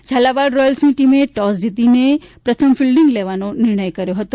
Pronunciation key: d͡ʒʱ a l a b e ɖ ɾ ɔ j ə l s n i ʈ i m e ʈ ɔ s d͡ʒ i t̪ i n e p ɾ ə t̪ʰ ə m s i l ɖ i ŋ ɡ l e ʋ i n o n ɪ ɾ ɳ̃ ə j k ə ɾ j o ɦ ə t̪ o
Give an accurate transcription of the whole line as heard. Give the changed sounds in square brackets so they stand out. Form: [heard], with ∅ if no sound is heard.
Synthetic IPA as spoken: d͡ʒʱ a l a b [a] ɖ ɾ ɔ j ə l s n i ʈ i m e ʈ ɔ s d͡ʒ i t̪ i n e p ɾ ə t̪ʰ ə m [f] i l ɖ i ŋ ɡ l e ʋ [a] n o n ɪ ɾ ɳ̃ ə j k ə ɾ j o ɦ ə t̪ o